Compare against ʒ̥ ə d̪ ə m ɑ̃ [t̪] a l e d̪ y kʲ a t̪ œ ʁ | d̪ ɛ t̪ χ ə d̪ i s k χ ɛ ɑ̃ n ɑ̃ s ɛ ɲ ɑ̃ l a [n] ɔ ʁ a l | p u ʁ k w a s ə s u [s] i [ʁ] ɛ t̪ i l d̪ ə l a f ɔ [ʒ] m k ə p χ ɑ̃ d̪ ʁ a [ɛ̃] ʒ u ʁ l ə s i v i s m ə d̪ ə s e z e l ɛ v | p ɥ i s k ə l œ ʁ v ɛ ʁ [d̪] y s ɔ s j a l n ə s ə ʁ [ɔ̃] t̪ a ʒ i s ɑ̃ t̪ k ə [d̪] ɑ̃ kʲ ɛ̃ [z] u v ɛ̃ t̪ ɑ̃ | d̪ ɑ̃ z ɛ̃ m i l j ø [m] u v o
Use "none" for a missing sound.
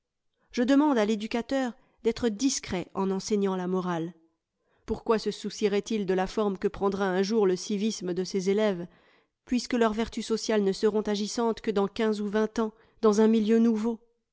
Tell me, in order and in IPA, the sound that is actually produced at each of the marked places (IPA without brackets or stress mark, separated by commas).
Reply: d̪, m, s, ʁ, ʁ, ɛ̃, t̪, ɔ̃, d̪, z, n